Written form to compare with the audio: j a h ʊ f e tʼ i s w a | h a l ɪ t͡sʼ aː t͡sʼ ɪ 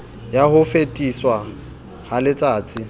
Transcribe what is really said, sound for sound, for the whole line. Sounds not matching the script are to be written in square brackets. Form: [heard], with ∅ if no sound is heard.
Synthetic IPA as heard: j a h ʊ f e tʼ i s w a | h a l ɪ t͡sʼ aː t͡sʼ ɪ